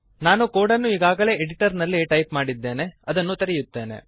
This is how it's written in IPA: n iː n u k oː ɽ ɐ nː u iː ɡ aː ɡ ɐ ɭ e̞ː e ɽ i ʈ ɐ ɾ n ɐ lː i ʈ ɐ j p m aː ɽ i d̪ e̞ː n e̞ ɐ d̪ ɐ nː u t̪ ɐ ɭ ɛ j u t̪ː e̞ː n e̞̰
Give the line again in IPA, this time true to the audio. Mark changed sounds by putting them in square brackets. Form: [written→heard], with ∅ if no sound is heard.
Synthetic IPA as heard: n [iː→aː] n u k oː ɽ ɐ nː u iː ɡ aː ɡ ɐ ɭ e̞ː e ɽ i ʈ ɐ ɾ n ɐ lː i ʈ ɐ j p m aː ɽ i [d̪→d̪ː] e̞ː n e̞ ɐ d̪ ɐ nː u t̪ ɐ [ɭ→ɾ] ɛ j u t̪ː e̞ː n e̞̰